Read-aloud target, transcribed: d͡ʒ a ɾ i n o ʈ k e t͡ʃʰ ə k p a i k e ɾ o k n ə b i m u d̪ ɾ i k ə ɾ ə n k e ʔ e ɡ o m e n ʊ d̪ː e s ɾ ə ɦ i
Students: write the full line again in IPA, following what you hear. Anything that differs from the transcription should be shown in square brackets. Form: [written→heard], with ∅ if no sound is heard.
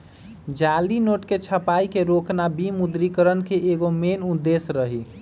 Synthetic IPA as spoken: d͡ʒ a [ɾ→l] i n o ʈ k e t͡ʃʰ ə [k→∅] p a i k e ɾ o k n [ə→a] b i m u d̪ ɾ i k ə ɾ ə n k e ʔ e ɡ o m e n [ʊ→u] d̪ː e s ɾ ə ɦ i